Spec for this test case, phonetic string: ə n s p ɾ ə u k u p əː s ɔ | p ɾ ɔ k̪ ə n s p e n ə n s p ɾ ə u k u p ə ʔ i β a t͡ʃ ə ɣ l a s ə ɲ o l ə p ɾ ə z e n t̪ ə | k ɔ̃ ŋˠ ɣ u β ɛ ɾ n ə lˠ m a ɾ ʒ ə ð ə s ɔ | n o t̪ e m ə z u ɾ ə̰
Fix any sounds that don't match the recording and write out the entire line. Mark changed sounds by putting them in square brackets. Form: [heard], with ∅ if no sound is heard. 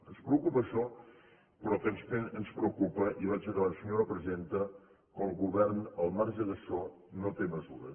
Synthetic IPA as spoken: ə n s p ɾ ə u k u p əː [ʃ] ɔ | p ɾ ɔ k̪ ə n s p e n ə n s p ɾ ə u k u p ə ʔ i β a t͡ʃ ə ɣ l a s ə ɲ o [ɾ] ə p ɾ ə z e n t̪ ə | k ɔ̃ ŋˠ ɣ u β ɛ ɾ n ə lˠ m a ɾ ʒ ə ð ə s ɔ | n o t̪ e m ə z u ɾ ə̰